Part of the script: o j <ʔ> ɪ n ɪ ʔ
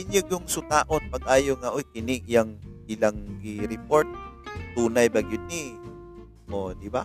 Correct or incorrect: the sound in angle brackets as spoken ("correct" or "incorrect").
incorrect